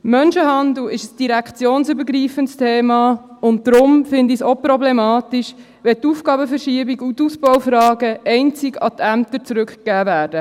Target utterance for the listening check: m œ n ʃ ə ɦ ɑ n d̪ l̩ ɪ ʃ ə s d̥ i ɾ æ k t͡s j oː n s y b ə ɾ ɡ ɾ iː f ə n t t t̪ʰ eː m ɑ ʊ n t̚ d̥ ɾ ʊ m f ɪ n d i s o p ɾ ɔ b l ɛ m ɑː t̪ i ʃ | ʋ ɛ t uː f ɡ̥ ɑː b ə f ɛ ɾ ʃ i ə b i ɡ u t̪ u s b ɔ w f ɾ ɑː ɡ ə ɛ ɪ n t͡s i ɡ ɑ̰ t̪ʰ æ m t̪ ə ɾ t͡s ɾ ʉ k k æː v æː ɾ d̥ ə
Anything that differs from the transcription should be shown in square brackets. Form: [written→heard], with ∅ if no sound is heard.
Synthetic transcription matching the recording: m œ n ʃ ə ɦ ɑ n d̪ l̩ ɪ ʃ ə s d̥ i ɾ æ k t͡s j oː n s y b ə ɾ ɡ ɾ iː f ə n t [t→s] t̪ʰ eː m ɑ ʊ n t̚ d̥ ɾ ʊ m f ɪ n d i s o p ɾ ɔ b l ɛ m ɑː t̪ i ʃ | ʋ ɛ t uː f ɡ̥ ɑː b ə f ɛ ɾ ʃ i ə b i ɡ u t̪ u s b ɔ w f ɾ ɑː ɡ ə ɛ ɪ n t͡s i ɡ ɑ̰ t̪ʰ æ m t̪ ə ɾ t͡s ɾ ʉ k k æː v æː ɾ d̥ ə